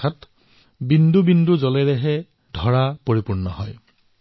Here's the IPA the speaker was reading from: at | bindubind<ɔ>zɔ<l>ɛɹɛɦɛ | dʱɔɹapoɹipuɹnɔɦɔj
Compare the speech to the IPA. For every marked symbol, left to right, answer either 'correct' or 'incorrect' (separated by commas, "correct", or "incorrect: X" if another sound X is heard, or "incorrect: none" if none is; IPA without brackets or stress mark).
incorrect: u, correct